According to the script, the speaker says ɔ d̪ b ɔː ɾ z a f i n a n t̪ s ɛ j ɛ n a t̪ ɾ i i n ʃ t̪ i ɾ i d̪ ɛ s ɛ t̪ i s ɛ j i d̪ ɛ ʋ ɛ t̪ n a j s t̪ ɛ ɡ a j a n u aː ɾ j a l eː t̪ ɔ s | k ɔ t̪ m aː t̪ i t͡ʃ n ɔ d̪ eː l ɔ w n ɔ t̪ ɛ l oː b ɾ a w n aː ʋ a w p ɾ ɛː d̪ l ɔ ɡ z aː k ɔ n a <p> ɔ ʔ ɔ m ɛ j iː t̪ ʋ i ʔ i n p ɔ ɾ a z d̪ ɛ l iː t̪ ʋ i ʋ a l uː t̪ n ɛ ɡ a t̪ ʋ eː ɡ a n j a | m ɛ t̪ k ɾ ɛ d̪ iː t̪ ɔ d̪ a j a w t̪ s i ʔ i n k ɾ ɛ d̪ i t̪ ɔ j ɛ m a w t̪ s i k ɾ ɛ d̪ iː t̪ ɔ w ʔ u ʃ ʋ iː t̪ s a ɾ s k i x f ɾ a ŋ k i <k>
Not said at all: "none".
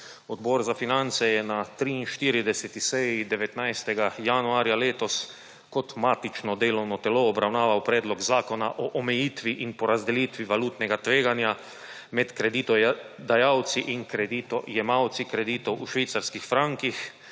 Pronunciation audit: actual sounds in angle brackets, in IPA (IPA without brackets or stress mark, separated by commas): ʔ, x